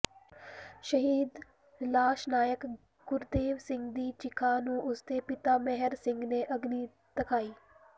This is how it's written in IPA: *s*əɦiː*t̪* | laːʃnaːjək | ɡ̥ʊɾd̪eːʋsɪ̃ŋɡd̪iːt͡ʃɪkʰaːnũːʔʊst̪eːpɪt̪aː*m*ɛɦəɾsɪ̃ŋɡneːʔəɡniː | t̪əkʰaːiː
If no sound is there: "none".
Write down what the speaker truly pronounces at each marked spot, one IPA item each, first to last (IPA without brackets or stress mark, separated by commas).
ʃ, d̪, m